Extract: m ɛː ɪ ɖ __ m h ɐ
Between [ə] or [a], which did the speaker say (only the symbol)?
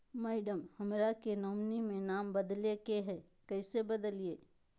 ə